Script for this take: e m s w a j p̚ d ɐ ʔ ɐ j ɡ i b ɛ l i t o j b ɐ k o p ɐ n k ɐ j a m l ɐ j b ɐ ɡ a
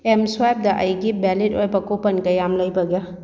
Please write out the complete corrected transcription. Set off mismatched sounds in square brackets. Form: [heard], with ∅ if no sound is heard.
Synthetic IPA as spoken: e m s w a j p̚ d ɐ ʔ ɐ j ɡ i b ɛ l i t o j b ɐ k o p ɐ n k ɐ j a m l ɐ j b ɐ ɡ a